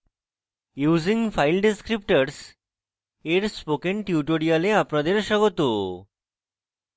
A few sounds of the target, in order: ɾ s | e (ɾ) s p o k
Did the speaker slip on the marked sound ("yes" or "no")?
no